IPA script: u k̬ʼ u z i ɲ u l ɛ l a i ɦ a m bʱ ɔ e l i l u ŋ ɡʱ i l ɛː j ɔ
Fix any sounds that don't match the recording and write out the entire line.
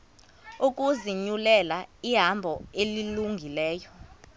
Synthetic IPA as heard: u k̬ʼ u z i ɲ u l ɛ l a i ɦ a m bʱ ɔ e l i l u ŋ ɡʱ i l ɛː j ɔ